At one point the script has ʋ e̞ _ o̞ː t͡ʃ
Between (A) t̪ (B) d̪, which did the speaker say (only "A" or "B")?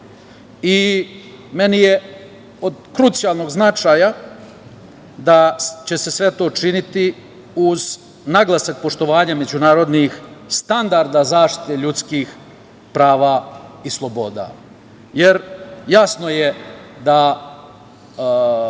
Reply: A